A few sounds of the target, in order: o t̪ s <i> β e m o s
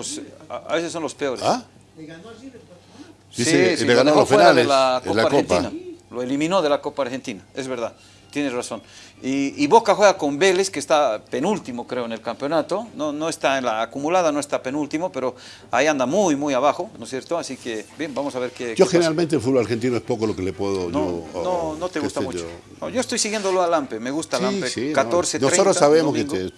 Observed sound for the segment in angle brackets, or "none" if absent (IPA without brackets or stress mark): a